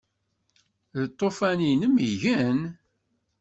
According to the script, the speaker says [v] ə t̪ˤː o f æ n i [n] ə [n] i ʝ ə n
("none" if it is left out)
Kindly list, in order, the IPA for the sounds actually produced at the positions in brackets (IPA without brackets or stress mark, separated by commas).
ð, n, m